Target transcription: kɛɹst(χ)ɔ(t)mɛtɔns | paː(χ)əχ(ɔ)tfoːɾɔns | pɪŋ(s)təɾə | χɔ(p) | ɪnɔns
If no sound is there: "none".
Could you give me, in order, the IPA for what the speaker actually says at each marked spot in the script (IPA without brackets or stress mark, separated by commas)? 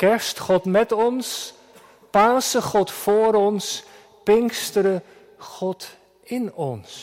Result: χ, t, s, ɔ, s, t